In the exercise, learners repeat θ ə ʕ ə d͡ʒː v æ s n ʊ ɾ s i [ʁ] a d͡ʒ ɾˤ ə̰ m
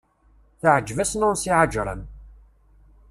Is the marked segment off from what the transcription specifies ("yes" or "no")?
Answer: yes